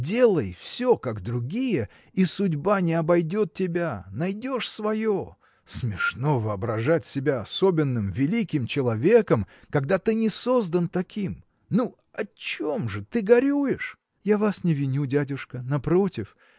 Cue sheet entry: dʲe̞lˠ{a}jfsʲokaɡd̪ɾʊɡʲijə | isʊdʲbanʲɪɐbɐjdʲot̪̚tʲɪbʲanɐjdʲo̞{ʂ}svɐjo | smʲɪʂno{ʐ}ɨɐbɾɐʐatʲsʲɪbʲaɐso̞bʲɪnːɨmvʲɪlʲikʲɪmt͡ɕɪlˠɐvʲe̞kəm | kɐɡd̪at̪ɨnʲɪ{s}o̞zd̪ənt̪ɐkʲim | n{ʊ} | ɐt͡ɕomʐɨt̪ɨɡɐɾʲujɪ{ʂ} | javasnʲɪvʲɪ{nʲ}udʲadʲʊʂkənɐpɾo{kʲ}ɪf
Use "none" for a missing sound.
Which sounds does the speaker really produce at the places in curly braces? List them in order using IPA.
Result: ə, ʂ, v, s, u, ʂ, nʲ, tʲ

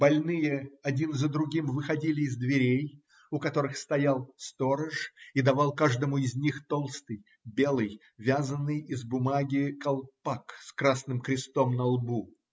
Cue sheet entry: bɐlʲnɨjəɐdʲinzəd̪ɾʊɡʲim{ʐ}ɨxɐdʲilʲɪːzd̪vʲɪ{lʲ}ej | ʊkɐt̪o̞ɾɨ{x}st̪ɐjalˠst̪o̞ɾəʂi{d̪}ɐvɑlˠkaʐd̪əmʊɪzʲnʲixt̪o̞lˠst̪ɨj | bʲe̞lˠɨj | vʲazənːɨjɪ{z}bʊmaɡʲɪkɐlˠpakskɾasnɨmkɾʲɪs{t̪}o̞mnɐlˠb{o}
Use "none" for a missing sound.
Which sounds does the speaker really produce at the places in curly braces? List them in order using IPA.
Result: v, ɾʲ, x, d̪, z, t̪, u

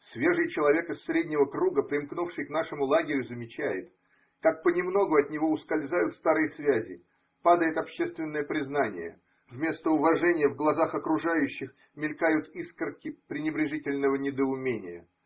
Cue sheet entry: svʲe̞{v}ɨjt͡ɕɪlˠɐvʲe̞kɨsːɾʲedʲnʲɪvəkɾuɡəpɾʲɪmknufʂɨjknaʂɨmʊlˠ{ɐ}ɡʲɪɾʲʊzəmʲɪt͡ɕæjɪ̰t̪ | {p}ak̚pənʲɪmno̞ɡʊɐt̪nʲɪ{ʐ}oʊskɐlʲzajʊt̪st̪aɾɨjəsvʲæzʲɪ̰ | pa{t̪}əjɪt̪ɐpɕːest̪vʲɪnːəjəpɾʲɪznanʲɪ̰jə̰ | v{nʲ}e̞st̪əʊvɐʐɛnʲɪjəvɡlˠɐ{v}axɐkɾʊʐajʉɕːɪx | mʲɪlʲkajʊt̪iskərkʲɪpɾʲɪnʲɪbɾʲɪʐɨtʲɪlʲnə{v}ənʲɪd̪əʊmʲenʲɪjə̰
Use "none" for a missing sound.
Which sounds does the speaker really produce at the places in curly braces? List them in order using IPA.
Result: ʐ, a, k, v, d̪, mʲ, z, v

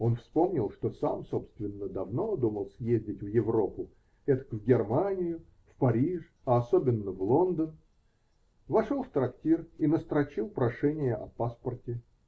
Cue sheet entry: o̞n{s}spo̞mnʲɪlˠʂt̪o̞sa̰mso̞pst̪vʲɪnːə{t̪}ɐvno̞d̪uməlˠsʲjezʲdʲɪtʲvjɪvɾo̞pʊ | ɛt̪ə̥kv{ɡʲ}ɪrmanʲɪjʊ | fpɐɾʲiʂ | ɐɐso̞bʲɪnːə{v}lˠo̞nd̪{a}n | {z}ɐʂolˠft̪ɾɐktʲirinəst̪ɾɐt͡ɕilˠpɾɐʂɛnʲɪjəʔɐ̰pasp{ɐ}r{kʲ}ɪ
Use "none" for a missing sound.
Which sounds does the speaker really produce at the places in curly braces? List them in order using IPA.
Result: f, d̪, ɡʲ, v, ə, v, ə, tʲ

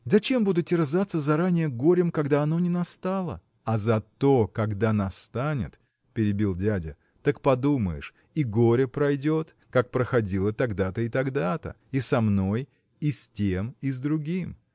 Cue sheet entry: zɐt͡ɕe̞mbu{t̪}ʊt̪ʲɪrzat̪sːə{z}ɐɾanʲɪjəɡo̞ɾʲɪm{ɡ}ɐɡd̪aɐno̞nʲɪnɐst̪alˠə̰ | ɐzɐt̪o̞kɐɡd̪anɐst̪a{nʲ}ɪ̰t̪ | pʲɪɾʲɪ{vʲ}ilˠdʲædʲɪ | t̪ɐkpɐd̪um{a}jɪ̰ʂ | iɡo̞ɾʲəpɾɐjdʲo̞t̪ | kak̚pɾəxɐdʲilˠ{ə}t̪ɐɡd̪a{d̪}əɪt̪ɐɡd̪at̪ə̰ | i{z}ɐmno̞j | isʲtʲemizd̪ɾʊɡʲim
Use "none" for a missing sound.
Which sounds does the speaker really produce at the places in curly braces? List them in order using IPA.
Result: d̪, z, k, nʲ, bʲ, ə, ə, t̪, s

